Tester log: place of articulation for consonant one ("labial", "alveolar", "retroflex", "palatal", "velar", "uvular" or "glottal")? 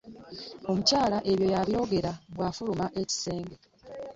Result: labial